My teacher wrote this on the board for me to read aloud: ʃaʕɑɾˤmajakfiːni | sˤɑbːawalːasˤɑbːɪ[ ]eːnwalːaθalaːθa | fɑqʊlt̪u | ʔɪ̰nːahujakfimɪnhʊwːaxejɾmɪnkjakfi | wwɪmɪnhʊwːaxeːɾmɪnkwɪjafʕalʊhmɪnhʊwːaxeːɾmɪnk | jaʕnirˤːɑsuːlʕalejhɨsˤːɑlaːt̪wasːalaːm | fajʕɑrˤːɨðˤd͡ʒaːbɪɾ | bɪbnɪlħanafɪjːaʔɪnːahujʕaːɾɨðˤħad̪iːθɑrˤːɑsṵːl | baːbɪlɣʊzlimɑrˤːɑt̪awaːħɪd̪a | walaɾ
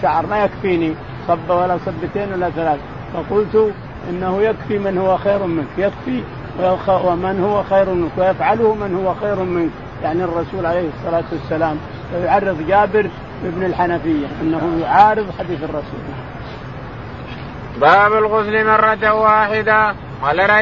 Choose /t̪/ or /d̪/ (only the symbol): t̪